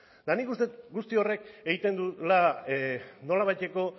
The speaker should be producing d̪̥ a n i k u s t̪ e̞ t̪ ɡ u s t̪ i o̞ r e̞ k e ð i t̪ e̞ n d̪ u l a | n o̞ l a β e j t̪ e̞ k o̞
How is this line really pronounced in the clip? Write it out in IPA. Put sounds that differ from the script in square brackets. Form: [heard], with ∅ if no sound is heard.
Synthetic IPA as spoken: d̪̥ a n i k u s t̪ e̞ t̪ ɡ u s t̪ i o̞ r e̞ k e [ɣ] i t̪ e̞ n d̪ u l a | n o̞ l a β [a] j t̪ e̞ k o̞